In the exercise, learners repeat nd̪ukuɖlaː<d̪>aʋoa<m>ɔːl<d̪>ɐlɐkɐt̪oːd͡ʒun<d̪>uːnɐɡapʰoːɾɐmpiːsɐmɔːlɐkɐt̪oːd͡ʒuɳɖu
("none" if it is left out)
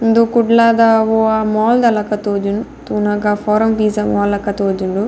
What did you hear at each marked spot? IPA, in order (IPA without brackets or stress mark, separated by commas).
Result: d̪, m, d̪, t̪